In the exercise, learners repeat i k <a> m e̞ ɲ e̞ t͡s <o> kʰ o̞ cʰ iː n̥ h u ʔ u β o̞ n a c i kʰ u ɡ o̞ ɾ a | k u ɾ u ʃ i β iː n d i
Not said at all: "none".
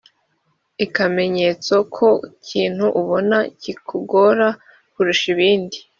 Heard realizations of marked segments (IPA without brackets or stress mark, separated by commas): a, o